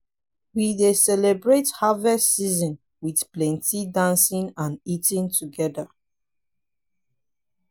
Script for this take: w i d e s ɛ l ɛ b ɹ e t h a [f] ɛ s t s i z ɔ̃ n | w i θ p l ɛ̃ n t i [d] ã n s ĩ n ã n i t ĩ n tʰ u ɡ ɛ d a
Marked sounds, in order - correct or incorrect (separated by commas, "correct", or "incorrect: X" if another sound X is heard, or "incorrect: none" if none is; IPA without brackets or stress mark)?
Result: incorrect: v, correct